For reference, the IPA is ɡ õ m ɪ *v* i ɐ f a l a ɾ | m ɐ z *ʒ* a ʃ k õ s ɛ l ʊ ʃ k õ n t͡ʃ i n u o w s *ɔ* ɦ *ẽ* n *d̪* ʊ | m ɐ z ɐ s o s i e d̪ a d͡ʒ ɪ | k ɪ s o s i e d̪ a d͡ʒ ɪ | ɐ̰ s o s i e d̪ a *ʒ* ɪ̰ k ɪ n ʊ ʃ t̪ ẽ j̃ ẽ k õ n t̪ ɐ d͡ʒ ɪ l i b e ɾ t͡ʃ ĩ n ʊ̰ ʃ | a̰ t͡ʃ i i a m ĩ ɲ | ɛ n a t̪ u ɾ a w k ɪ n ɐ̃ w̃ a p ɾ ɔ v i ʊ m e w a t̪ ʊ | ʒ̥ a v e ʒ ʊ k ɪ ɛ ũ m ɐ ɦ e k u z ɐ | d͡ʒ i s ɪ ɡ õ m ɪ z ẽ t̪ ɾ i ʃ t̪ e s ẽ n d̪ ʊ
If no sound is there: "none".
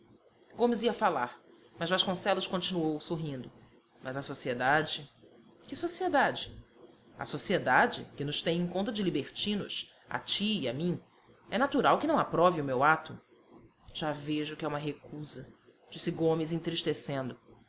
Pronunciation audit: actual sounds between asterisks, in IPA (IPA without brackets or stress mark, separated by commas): z, v, o, ĩ, d̪, d͡ʒ